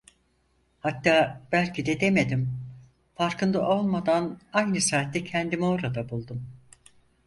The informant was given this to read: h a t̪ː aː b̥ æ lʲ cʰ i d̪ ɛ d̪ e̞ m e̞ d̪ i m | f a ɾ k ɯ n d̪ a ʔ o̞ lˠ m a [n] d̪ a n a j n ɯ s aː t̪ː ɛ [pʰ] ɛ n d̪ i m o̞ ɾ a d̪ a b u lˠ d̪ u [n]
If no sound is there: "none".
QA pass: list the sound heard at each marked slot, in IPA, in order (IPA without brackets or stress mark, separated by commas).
none, cʰ, m